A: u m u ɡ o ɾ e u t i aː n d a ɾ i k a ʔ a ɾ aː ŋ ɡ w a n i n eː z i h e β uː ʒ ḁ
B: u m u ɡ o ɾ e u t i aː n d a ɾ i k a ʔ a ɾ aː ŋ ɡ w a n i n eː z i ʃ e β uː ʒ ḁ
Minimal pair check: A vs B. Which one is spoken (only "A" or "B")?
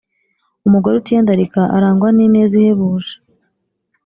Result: A